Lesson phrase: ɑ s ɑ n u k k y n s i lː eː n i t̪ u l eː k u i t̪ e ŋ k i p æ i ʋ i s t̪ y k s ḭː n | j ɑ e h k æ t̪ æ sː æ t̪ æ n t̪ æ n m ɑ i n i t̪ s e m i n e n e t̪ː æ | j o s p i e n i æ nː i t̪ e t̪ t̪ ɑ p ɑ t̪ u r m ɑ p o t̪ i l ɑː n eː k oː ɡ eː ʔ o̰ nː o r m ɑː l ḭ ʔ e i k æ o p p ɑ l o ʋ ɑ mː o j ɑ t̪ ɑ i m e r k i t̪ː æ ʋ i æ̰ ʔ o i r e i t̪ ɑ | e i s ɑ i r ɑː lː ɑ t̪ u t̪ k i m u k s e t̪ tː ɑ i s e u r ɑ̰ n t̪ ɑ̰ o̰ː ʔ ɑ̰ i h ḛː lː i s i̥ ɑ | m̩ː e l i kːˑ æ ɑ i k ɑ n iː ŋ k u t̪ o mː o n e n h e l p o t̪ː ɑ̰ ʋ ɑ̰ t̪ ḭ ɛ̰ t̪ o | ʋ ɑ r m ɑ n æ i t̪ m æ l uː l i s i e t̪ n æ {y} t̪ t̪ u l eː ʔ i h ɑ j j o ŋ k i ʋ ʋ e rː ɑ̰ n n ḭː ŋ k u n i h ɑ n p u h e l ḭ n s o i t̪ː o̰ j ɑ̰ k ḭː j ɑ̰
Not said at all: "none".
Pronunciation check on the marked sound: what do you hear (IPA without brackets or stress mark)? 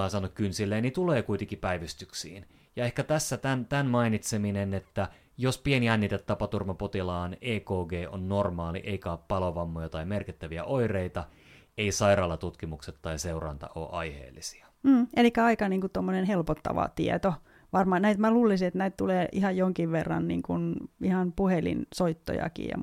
i